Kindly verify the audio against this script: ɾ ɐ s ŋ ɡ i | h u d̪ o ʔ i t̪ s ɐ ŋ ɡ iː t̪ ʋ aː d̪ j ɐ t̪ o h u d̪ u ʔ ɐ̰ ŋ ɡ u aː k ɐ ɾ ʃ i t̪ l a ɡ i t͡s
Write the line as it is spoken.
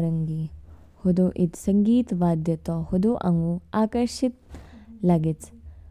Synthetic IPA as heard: ɾ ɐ ŋ ɡ i | h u d̪ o ʔ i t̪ s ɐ ŋ ɡ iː t̪ ʋ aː d̪ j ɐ t̪ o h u d̪ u ʔ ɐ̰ ŋ ɡ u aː k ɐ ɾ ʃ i t̪ l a ɡ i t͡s